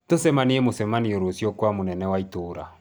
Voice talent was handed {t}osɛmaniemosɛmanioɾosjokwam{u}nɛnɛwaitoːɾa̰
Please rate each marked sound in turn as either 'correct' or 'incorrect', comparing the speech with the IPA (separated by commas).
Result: correct, incorrect